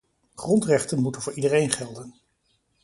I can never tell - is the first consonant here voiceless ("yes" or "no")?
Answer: yes